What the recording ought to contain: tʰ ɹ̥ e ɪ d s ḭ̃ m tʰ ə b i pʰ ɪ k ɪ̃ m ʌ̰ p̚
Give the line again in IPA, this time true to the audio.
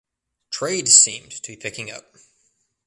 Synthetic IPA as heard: tʰ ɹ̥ e ɪ d s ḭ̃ m tʰ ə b i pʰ ɪ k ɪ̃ ŋ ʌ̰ p̚